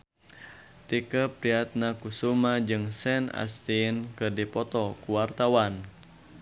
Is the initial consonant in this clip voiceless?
yes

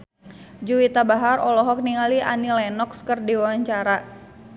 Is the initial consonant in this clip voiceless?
no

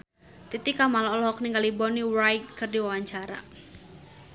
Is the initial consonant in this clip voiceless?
yes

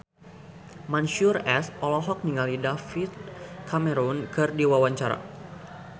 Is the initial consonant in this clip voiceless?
no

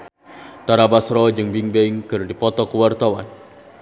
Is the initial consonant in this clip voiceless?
yes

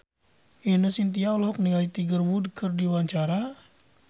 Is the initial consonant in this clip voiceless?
no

